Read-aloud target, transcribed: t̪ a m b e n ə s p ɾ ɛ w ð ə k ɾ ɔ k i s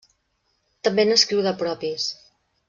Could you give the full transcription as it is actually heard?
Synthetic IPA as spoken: t̪ ə m b e n ə s k ɾ i w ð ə p ɾ ɔ p i s